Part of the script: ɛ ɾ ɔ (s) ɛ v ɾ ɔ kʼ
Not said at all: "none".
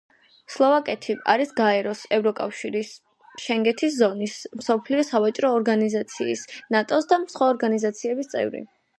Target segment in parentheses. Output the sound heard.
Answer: s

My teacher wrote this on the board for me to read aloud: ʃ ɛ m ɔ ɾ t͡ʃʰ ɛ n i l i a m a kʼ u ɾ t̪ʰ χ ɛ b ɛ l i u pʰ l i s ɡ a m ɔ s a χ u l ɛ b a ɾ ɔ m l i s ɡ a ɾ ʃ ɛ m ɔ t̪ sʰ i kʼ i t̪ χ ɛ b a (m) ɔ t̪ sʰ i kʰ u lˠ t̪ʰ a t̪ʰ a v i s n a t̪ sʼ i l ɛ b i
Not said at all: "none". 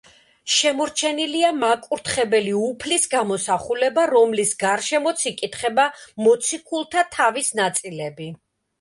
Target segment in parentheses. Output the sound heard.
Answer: m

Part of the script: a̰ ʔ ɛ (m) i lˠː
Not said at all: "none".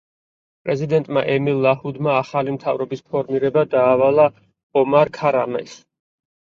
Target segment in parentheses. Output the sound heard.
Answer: m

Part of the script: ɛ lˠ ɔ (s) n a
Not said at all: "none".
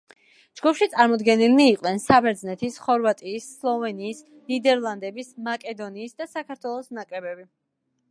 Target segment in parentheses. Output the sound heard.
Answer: s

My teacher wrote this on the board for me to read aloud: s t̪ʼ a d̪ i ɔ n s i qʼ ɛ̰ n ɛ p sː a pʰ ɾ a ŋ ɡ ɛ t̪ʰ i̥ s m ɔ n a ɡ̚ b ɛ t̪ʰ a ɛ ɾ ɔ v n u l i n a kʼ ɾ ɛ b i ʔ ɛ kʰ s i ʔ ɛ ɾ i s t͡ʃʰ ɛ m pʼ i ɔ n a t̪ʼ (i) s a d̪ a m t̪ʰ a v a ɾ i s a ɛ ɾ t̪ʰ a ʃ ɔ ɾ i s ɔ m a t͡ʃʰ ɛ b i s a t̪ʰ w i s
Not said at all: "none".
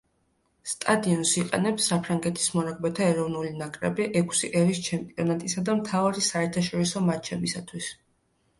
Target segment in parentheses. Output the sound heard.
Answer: i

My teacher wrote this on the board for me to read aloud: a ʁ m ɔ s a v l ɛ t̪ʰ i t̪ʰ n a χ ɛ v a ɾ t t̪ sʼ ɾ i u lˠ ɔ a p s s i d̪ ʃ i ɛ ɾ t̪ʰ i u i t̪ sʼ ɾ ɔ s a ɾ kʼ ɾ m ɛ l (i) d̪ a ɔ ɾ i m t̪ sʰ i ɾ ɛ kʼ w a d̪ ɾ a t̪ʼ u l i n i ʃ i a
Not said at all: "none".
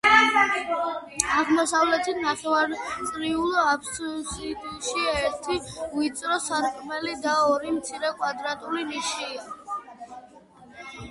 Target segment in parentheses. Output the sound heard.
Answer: i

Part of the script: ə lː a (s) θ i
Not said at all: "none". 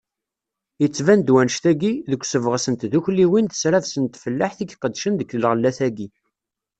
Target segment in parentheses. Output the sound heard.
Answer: ħ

